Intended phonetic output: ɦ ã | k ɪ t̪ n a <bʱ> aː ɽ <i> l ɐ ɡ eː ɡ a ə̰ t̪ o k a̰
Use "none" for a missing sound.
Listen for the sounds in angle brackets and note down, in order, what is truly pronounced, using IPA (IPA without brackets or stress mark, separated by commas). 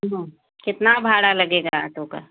bʱ, a